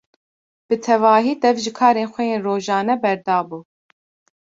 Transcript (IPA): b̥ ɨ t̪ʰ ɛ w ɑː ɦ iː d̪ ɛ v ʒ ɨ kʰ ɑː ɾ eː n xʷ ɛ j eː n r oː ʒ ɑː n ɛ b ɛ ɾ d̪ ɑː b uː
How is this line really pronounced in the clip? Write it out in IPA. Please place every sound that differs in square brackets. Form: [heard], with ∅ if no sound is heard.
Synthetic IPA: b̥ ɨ t̪ʰ ɛ [v] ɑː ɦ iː d̪ ɛ v ʒ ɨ kʰ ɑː ɾ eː n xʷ ɛ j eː n r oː ʒ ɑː n ɛ b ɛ ɾ d̪ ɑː b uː